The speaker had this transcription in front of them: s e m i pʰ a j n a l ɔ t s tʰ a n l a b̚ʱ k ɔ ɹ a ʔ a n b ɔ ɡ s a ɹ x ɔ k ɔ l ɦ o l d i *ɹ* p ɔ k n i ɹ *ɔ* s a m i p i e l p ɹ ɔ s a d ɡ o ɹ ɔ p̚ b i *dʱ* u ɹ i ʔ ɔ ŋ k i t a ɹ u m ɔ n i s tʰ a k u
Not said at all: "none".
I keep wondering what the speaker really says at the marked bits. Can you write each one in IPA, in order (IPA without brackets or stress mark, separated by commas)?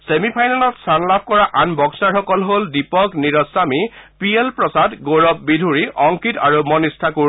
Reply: none, ɔ, dʱ